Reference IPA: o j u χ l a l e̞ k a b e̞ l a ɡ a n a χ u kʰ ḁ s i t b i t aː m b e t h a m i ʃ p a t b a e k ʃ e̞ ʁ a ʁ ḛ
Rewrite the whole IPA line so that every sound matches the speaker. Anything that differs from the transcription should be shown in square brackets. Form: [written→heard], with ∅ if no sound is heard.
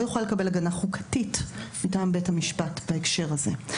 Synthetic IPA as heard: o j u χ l a l e̞ k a b e̞ l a ɡ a n a χ u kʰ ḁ [s→t] i t [b→m] i t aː m b e t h a m i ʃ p a t b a e k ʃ e̞ ʁ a [ʁ→z] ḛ